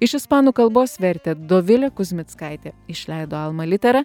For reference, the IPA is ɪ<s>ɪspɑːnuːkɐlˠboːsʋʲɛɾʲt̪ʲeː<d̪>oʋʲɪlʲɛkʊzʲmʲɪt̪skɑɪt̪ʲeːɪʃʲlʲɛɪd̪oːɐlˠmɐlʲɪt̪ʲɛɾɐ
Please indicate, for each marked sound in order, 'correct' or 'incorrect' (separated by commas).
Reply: incorrect, correct